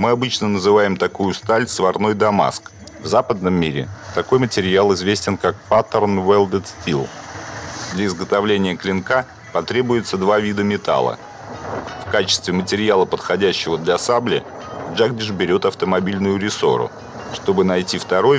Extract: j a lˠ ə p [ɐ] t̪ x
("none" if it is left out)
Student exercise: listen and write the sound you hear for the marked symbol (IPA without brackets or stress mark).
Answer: ə